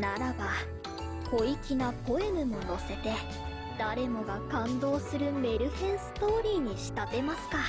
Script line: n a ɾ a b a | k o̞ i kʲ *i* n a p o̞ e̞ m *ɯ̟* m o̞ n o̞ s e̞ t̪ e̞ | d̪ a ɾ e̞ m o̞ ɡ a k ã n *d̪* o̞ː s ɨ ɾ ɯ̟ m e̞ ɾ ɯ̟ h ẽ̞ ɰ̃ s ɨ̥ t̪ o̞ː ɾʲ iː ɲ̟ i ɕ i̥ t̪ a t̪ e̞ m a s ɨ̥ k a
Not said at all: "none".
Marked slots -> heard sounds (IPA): i, ɯ̟, d̪

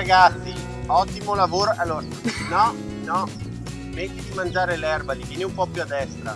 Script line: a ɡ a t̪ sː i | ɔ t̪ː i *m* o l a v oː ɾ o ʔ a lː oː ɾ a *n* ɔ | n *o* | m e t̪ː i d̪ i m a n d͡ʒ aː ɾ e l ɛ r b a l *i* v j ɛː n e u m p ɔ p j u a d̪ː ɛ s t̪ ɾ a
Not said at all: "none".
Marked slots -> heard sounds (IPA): m, n, ɔ, i

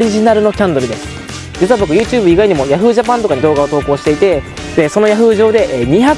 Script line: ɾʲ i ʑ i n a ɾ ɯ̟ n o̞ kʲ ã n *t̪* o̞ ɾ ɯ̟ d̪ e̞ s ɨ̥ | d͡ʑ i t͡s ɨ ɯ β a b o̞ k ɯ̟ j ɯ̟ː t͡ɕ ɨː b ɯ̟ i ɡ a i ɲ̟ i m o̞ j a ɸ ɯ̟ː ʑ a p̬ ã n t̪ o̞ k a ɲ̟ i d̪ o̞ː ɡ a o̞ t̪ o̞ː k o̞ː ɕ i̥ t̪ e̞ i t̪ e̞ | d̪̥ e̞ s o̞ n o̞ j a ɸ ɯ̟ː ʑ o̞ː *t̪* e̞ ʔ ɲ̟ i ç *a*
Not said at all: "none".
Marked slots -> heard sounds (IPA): d̪, d̪, a

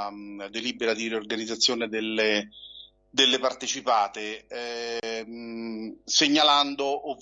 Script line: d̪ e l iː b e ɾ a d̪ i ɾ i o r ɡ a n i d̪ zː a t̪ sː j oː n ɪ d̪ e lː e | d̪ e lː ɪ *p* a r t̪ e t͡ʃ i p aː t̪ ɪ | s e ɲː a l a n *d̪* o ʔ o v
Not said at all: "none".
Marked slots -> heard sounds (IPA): p, d̪

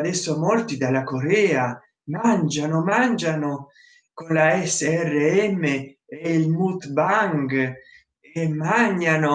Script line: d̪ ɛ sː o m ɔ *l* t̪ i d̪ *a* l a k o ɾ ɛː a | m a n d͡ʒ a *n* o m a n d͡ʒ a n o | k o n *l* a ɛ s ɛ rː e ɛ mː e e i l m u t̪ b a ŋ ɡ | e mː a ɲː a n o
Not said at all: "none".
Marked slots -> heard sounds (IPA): l, a, n, l

